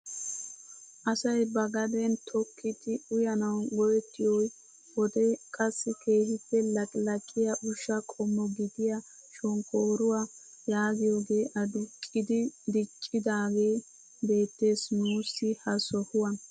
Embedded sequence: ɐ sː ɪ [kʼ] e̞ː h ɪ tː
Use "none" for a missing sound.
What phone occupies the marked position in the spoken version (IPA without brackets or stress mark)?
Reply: k